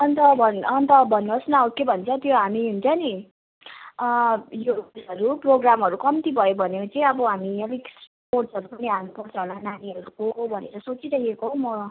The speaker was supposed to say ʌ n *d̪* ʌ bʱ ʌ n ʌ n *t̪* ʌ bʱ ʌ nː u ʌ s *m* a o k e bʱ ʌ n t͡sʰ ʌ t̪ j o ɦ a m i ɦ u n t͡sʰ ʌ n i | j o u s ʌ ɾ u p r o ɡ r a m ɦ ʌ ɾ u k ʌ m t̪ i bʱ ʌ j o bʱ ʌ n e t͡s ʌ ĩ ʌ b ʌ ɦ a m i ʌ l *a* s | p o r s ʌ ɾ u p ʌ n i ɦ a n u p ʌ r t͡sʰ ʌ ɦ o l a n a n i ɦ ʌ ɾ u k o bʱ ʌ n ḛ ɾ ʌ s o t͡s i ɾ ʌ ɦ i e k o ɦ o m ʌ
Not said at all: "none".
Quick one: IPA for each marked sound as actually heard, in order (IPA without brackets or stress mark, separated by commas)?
t̪, t̪, n, i